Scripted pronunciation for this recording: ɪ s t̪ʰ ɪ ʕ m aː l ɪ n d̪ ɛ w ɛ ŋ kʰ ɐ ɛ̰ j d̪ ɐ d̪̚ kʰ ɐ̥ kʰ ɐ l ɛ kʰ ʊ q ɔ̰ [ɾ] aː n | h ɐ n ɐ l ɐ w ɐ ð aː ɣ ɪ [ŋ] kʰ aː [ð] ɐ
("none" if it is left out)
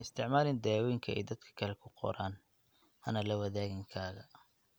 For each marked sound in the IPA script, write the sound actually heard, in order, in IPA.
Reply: ɾ, ŋ, ɣ

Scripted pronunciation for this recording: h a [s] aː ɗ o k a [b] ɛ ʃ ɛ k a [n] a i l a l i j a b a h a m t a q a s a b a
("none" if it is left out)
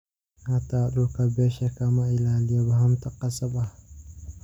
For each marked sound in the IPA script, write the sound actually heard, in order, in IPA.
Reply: t, b, m

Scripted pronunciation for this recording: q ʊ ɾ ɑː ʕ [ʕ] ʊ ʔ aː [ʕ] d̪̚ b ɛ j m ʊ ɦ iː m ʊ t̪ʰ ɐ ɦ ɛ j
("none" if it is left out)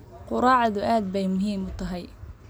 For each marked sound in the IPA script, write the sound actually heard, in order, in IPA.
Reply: ð, none

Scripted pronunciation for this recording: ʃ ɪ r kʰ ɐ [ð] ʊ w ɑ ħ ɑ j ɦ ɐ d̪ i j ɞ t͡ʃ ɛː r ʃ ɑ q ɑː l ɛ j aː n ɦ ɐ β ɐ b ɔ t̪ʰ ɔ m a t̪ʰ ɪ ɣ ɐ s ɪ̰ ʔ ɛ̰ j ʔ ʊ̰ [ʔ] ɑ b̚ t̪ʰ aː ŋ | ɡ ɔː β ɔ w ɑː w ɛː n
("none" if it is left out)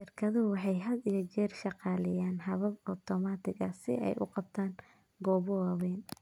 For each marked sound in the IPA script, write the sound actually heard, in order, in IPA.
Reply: ð, q

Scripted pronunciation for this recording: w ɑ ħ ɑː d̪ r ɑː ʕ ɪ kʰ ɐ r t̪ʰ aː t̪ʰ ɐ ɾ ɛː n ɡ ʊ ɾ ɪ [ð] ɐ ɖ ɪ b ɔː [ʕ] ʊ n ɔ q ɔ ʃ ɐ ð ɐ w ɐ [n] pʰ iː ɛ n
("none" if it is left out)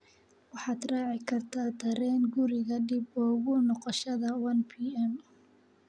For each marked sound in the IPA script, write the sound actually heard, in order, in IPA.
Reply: ɣ, ɣ, n

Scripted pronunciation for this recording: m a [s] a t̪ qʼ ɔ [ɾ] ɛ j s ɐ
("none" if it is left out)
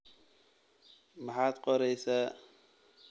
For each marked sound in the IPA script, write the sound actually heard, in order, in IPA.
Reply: ħ, ɾ

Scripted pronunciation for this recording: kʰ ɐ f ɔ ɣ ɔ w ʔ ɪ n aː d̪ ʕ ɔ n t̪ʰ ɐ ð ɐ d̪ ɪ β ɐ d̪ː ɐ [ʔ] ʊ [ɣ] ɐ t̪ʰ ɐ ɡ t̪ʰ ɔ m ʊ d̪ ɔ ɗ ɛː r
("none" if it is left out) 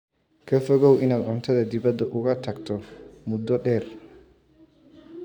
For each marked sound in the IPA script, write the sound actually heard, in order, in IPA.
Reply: ʔ, ɣ

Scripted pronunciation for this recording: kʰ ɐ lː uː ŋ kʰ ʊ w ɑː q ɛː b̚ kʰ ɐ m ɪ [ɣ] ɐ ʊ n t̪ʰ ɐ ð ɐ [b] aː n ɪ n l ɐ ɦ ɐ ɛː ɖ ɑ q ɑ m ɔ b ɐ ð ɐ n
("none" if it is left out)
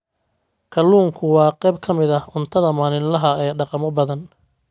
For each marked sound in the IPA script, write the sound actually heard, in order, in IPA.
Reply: ð, m

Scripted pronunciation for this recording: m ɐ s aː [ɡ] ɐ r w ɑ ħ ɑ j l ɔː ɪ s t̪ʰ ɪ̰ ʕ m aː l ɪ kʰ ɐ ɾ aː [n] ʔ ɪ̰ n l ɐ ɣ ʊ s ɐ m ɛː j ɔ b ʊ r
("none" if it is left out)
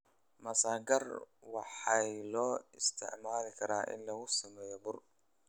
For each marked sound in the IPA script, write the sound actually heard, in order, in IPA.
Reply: ɡ, none

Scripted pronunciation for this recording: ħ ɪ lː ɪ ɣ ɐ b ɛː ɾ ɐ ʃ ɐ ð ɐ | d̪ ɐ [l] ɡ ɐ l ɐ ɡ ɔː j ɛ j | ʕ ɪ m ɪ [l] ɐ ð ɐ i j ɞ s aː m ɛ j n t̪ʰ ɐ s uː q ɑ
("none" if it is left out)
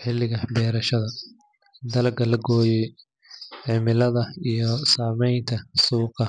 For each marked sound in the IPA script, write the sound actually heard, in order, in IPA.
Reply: l, l

